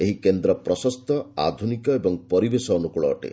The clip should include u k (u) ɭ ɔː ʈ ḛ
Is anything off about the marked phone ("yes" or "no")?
no